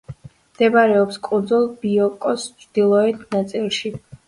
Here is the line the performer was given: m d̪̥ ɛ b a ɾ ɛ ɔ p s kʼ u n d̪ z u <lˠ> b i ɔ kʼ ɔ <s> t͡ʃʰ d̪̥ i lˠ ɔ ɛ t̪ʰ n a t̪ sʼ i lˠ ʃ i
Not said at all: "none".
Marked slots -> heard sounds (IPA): lˠ, s

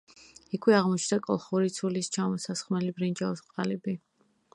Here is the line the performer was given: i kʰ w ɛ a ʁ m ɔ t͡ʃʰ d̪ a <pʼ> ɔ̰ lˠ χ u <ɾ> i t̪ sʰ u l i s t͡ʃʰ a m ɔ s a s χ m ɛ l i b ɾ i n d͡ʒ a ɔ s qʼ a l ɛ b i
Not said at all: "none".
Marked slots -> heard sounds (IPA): kʼ, ɾ

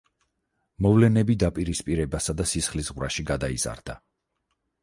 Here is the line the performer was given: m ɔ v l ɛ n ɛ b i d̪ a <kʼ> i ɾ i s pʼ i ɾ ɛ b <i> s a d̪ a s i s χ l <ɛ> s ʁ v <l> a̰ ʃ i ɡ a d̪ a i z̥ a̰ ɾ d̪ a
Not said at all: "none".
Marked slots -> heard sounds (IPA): pʼ, a, i, ɾ

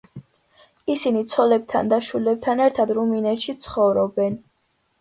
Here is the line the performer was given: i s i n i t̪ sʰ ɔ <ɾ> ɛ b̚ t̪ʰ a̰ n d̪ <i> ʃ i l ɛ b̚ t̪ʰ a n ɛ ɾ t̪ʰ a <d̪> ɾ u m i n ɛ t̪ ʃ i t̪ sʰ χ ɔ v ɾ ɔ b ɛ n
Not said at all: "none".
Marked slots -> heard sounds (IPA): l, a, d̪

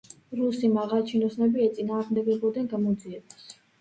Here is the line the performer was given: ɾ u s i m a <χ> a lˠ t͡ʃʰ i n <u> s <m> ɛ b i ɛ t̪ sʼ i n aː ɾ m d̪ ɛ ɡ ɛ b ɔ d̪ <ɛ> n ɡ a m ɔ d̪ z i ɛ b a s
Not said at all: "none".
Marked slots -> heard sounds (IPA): ʁ, ɔ, n, ɛ

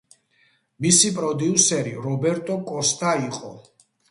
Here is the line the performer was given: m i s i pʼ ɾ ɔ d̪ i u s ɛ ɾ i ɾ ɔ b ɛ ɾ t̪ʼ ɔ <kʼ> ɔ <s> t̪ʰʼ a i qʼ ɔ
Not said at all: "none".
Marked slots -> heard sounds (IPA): kʼ, s

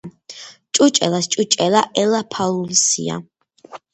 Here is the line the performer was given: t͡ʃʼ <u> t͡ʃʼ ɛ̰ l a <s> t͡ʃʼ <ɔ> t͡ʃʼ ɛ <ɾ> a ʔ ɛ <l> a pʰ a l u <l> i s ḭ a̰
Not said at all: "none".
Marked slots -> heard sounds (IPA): u, s, u, l, l, l

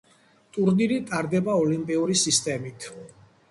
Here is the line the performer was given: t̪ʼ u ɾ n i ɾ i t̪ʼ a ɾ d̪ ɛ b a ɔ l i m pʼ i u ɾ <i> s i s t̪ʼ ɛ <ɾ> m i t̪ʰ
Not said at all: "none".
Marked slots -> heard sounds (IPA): i, none

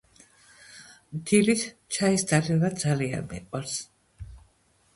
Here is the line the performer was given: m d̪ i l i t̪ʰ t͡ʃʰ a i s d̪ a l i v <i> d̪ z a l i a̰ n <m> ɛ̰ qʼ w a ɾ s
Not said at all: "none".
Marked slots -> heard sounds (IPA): a, m

